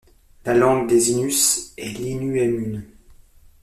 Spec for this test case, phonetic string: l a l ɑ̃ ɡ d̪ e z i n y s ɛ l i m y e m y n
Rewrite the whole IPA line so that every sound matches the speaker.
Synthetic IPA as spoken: l a l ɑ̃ ɡ d̪ e z i n y s ɛ l i n y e m y n